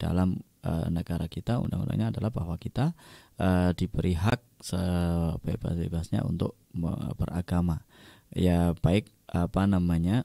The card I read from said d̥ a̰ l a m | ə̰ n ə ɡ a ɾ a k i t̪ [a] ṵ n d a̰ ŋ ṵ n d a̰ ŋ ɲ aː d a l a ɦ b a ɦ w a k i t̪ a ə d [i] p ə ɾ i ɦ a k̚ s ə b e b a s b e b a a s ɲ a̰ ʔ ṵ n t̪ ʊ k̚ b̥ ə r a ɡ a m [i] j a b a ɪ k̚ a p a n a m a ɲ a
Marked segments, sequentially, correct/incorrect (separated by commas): correct, correct, incorrect